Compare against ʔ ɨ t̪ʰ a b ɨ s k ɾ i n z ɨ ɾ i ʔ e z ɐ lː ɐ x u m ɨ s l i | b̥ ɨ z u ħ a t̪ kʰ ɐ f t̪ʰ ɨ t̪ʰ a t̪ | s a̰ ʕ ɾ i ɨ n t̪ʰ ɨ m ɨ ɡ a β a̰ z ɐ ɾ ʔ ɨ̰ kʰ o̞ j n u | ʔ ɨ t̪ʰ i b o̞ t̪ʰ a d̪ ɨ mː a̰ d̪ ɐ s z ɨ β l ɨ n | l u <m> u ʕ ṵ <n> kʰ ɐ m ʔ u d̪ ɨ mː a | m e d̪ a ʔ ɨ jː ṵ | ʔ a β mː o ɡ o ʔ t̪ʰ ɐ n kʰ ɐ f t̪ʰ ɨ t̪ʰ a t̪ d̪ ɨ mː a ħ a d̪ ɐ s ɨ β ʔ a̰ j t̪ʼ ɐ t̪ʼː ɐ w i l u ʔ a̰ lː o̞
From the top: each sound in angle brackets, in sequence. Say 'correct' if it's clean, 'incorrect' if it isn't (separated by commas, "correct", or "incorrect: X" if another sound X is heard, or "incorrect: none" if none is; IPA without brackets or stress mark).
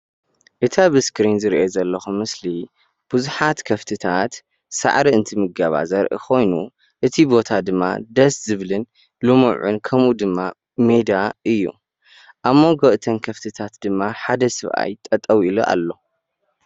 correct, correct